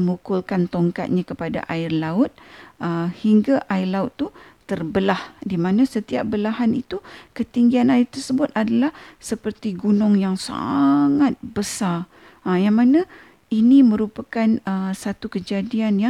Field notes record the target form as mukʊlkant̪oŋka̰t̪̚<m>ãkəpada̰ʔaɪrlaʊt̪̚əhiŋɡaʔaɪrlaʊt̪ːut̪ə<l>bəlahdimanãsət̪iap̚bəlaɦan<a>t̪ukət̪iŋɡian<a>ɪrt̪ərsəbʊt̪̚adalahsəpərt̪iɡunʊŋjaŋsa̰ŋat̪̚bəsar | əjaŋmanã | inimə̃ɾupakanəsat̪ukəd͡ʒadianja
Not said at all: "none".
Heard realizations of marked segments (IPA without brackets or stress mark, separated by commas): ɲ, r, i, a